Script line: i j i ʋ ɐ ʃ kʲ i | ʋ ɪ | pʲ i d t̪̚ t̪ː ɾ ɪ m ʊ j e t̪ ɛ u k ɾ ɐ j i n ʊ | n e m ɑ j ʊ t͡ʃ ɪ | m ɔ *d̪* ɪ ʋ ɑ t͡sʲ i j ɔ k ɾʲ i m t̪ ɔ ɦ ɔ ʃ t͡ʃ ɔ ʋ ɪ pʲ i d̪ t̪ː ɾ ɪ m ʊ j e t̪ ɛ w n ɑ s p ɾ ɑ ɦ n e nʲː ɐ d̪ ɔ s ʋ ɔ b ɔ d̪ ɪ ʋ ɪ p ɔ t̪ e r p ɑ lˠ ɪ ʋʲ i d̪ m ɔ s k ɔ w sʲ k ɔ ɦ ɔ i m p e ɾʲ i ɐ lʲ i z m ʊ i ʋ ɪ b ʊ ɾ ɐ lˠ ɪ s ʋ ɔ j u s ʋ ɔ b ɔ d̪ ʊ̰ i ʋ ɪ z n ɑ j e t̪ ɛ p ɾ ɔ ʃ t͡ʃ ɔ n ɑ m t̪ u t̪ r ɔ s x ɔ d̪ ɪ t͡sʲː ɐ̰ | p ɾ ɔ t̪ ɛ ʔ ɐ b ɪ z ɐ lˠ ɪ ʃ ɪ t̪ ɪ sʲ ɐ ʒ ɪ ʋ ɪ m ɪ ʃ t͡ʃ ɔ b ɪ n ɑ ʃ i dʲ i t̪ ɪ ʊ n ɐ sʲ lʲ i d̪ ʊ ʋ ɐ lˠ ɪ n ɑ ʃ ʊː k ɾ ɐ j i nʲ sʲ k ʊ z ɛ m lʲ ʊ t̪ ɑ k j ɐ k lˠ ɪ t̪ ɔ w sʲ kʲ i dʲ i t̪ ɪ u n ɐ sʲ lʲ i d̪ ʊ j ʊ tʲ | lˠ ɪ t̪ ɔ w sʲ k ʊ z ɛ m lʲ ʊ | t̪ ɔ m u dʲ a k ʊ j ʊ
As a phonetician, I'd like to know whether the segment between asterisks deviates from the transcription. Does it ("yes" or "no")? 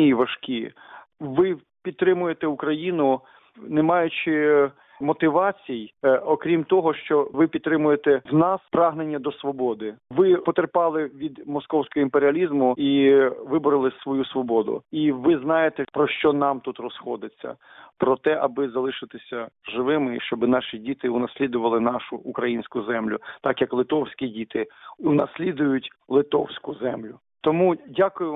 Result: yes